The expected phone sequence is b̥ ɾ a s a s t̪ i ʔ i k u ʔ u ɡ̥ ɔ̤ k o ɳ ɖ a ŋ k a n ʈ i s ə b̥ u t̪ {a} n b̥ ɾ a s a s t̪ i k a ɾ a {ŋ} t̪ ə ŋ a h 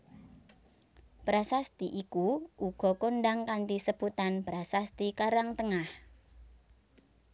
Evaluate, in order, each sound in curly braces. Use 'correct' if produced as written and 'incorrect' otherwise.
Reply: correct, correct

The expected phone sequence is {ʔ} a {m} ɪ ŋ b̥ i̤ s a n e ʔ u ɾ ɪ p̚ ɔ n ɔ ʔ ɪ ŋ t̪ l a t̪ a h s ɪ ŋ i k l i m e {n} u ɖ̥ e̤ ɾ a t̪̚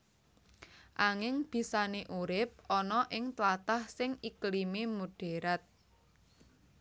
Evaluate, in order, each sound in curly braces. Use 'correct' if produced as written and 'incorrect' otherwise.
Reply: correct, incorrect: ŋ, incorrect: m

